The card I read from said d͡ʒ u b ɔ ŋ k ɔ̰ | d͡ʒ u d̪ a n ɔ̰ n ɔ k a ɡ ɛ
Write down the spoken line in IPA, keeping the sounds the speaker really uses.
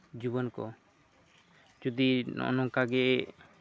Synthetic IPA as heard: d͡ʒ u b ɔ n k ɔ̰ | d͡ʒ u d̪ i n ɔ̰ n ɔ k a ɡ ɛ